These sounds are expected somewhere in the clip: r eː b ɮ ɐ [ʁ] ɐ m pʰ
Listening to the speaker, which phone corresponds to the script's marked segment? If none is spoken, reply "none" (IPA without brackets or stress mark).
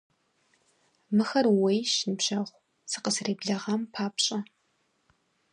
ʁ